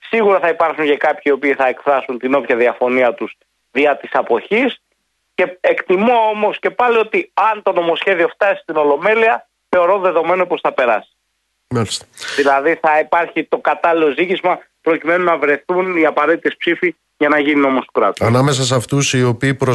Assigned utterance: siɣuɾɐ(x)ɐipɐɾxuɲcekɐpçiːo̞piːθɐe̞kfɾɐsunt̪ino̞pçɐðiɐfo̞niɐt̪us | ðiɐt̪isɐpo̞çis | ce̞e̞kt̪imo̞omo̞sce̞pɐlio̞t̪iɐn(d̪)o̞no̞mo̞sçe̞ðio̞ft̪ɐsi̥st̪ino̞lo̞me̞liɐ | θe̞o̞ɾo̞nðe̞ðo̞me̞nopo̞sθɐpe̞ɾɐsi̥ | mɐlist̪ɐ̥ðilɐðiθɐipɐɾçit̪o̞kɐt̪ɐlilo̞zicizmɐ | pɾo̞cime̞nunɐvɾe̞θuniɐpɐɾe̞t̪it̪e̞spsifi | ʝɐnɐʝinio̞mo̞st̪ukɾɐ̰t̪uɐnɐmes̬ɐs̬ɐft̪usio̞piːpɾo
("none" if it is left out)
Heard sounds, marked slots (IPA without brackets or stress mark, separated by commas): θ, t̪